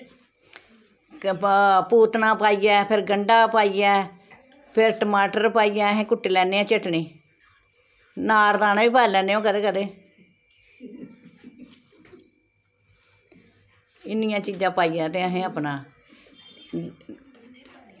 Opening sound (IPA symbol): p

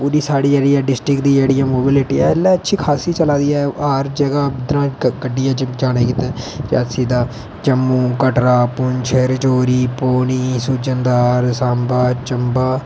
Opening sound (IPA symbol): p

